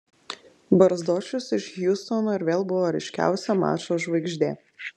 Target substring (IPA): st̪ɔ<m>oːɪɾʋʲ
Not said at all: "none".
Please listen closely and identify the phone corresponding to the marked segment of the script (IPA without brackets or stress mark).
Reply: n